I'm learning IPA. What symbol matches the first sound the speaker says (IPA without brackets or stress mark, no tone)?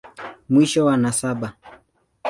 m